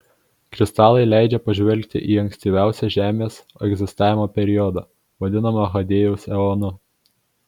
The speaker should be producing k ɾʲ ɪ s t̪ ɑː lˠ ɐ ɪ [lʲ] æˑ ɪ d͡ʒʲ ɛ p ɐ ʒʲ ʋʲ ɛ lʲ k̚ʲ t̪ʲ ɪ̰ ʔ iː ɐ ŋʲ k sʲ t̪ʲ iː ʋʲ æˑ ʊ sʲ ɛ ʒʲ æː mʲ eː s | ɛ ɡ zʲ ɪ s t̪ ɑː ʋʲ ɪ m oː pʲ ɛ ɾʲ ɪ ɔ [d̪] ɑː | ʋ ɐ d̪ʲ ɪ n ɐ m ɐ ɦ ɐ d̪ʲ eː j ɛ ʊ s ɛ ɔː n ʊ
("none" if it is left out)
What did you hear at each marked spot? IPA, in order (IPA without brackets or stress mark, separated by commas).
lʲ, d̪